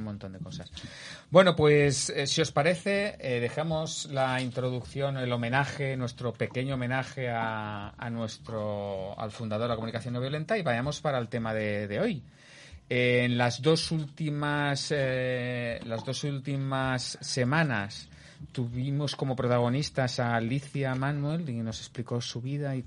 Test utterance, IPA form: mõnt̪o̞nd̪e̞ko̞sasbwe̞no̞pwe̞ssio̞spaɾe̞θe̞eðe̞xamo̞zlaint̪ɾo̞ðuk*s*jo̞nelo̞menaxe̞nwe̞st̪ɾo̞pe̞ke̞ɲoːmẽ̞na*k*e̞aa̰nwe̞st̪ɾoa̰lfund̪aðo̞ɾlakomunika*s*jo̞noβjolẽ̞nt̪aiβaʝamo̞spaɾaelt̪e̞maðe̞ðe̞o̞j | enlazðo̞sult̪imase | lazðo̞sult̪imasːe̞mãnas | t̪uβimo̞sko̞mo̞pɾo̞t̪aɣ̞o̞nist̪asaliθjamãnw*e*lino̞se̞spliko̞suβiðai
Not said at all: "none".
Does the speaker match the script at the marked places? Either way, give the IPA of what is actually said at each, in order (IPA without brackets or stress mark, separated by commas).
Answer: θ, x, θ, e